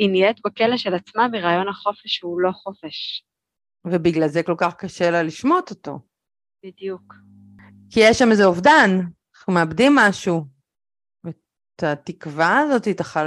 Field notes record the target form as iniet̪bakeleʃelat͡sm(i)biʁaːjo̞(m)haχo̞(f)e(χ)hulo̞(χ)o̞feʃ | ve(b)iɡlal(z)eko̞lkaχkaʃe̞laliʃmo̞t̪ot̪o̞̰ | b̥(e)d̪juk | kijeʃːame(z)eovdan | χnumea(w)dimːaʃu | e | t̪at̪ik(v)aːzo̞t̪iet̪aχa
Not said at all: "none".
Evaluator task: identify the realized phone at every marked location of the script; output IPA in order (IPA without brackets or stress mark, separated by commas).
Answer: a, n, f, ʃ, χ, b, z, i, z, b, v